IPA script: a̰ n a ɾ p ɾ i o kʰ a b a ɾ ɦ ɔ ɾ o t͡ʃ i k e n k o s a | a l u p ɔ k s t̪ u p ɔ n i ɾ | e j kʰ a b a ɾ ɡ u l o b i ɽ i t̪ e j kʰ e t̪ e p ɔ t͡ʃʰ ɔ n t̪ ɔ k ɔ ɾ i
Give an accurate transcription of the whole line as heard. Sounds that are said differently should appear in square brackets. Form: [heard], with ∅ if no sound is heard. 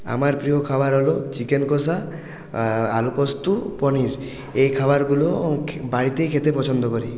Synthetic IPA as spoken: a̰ [m] a ɾ p ɾ i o kʰ a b a ɾ ɦ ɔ [l] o t͡ʃ i k e n k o s a | a l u p ɔ [∅] s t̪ u p ɔ n i ɾ | e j kʰ a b a ɾ ɡ u l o b [a] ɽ i t̪ e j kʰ e t̪ e p ɔ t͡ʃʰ ɔ n [d̪] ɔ k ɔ ɾ i